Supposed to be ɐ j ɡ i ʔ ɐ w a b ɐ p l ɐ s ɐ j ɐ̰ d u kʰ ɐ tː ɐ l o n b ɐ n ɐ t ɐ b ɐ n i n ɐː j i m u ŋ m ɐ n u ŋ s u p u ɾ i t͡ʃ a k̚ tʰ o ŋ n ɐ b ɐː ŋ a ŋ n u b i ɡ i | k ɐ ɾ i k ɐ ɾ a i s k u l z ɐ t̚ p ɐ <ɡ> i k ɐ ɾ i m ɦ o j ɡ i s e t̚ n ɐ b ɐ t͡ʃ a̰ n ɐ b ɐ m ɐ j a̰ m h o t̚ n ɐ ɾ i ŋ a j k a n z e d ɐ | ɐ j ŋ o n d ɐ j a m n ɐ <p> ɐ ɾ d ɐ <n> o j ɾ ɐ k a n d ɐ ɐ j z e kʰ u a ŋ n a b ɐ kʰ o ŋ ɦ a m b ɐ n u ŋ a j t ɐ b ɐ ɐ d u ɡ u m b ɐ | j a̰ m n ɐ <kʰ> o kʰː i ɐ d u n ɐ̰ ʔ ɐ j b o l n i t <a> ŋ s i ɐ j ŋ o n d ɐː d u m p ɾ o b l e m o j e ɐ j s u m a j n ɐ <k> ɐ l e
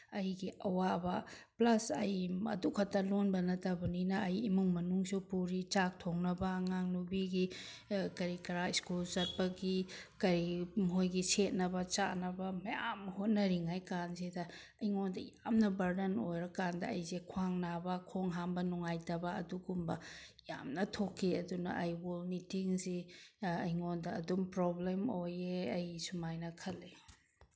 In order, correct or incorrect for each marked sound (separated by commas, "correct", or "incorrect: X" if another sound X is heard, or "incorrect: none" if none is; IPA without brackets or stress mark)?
correct, incorrect: b, correct, incorrect: tʰ, incorrect: i, incorrect: kʰ